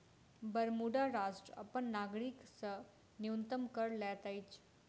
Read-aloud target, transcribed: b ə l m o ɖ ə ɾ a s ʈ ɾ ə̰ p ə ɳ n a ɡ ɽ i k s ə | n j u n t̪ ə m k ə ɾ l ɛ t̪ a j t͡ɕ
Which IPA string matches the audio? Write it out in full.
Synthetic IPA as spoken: b ə ɾ m u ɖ a ɾ a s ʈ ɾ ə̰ p ə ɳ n a ɡ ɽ i k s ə | n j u n t̪ ə m k ə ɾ l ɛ t̪ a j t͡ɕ